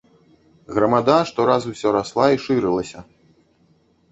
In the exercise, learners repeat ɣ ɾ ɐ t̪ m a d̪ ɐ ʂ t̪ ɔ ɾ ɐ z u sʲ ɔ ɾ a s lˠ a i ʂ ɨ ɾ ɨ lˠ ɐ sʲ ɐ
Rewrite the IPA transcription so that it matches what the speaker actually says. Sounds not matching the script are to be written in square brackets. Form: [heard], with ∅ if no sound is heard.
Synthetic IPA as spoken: ɣ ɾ ɐ [∅] m a d̪ [a] ʂ t̪ ɔ ɾ [a] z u sʲ ɔ ɾ a s lˠ a i ʂ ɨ ɾ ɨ lˠ ɐ sʲ ɐ